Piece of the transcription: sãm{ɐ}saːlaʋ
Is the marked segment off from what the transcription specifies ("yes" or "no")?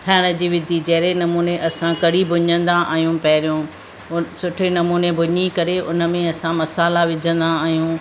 no